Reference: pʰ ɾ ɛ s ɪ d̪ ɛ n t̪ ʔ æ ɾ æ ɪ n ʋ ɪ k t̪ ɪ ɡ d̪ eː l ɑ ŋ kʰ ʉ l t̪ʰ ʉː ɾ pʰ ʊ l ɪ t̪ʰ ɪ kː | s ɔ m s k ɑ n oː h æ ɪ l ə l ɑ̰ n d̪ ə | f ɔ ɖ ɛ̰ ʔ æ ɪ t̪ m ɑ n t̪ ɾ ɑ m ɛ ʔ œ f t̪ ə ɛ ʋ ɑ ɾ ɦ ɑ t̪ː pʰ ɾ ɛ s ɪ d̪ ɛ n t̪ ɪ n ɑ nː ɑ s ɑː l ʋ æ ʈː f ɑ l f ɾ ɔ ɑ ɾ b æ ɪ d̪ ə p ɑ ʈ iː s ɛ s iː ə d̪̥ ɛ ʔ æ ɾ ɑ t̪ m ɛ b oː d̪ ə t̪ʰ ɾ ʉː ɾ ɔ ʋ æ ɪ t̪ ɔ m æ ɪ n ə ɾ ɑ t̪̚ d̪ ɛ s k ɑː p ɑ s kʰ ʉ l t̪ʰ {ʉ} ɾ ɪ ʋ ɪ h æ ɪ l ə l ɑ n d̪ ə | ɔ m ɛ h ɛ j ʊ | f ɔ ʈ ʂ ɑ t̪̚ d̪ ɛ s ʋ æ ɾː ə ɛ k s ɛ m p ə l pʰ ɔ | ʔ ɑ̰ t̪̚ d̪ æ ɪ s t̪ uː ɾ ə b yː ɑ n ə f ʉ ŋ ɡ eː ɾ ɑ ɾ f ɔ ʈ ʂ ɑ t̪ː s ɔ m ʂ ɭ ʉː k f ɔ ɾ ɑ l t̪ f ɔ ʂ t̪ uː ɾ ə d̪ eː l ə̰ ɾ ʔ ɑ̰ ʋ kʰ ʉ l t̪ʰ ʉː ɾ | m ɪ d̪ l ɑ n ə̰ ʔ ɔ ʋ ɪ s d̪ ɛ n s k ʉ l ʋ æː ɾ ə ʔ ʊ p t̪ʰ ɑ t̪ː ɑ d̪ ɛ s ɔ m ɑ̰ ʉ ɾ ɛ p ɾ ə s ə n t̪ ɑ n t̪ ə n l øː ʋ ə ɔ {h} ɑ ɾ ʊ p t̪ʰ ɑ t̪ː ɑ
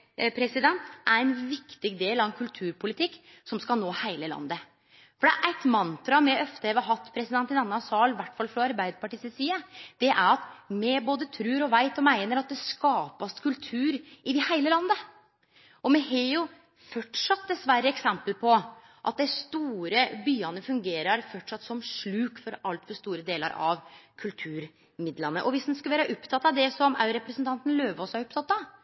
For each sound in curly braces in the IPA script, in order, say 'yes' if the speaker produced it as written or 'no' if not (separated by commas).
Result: no, no